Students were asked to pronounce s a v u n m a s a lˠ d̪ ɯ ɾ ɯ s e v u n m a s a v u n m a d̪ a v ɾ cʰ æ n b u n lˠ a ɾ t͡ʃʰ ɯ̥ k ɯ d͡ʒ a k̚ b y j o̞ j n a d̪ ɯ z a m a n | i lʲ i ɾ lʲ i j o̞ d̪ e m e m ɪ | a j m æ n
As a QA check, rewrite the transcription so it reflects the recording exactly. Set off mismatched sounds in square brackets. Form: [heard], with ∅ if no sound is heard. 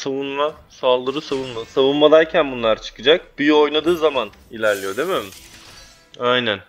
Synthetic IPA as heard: s a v u n m a s a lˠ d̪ ɯ ɾ ɯ s [a] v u n m a s a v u n m a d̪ a [∅] ɾ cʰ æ n b u n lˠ a ɾ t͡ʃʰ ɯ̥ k ɯ d͡ʒ a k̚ b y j o̞ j n a d̪ [ɯː] z a m a n | i lʲ [æ] ɾ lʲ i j o̞ d̪ e m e m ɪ | a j [n] æ n